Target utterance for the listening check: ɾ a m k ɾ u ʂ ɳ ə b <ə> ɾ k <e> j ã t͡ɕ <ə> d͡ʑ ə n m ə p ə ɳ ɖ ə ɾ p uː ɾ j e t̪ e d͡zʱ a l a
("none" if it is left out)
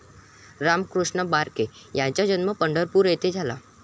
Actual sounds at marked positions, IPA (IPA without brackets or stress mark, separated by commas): a, e, a